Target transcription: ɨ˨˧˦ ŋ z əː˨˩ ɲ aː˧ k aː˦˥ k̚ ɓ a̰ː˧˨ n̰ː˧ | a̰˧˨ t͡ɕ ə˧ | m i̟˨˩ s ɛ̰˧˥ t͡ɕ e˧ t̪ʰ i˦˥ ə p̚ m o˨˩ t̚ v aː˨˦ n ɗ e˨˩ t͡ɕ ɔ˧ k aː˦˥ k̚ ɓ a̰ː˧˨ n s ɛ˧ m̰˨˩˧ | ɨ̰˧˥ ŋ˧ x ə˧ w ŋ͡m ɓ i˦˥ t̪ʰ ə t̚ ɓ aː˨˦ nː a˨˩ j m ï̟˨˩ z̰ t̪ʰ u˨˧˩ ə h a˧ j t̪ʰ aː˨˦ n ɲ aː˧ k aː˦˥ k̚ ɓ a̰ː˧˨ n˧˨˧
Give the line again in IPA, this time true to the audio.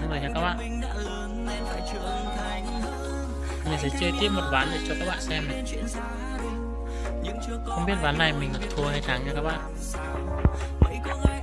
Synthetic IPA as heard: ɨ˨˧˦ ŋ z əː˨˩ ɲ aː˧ k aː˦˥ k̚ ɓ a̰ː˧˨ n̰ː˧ | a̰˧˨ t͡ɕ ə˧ | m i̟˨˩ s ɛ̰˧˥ t͡ɕ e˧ t̪ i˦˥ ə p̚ m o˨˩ t̚ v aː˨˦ n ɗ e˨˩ t͡ɕ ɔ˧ k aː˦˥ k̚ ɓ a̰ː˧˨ n s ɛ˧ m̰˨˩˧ | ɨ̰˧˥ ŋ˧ x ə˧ w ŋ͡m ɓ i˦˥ ə t̚ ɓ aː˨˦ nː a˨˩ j m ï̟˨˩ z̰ t̪ʰ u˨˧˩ ə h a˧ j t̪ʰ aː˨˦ ŋ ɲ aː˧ k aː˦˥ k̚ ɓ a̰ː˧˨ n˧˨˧